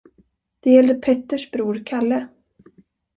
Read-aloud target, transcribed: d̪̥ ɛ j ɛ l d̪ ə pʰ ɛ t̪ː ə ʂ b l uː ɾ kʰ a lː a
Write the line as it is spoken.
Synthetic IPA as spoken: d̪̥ ɛ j ɛ l d̪ ə pʰ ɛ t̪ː ə ʂ b ɾ uː ɾ kʰ a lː ə